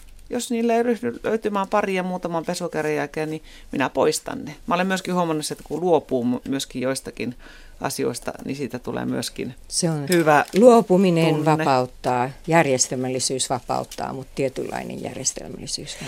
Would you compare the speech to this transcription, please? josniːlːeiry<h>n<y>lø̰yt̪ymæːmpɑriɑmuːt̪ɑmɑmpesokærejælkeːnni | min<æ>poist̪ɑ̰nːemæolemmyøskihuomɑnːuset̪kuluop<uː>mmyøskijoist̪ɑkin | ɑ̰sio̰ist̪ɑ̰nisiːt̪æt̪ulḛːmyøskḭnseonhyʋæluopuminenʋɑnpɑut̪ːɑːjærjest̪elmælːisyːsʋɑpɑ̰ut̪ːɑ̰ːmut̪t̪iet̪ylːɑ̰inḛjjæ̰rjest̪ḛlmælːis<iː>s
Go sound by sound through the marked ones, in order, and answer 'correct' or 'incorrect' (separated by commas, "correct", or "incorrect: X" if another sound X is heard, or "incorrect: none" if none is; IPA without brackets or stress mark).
correct, correct, correct, correct, incorrect: yː